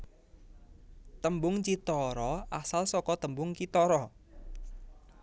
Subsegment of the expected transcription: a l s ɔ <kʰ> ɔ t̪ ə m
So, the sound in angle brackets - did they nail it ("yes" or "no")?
no